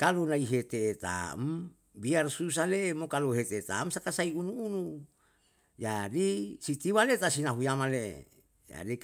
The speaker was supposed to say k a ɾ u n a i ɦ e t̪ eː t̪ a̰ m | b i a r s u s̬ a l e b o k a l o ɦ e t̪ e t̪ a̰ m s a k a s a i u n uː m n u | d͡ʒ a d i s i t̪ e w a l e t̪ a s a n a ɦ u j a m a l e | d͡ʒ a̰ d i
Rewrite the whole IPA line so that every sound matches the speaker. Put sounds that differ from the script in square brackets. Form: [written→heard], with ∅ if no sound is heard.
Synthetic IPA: k a [ɾ→l] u n a i ɦ e t̪ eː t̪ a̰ m | b i a r s u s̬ a l e [b→m] o k a l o ɦ e t̪ e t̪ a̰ m s a k a s a i u n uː [m→∅] n u | d͡ʒ a d i s i t̪ [e→i] w a l e t̪ a s [a→i] n a ɦ u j a m a l e | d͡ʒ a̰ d i